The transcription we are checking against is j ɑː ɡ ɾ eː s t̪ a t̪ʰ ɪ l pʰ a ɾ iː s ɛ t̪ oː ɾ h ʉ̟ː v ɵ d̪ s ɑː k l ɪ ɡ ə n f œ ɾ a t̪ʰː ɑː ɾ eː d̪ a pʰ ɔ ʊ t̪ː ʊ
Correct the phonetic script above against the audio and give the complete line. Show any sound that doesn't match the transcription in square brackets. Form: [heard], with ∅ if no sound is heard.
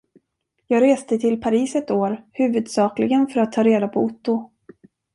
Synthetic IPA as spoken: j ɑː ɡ ɾ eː s t̪ [ə] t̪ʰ ɪ l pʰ a ɾ iː s ɛ t̪ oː ɾ h ʉ̟ː v ɵ d̪ s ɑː k l ɪ ɡ ə n f œ ɾ a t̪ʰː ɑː ɾ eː d̪ a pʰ ɔ ʊ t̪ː ʊ